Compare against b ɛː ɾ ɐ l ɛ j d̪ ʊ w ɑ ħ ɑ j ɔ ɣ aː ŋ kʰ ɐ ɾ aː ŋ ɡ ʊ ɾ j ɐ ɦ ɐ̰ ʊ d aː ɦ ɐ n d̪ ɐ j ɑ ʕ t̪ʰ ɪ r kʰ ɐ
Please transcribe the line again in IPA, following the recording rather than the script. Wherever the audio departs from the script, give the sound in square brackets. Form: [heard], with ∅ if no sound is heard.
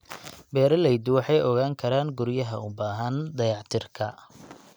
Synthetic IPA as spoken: b ɛː ɾ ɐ l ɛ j d̪ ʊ w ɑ ħ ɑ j ɔ ɣ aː ŋ kʰ ɐ ɾ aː ŋ ɡ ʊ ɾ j ɐ ɦ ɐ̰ ʊ [b] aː ɦ ɐ n d̪ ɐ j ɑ ʕ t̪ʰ ɪ r kʰ ɐ